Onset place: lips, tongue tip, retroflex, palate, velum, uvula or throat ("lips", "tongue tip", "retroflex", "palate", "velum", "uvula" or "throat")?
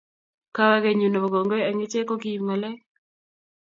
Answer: velum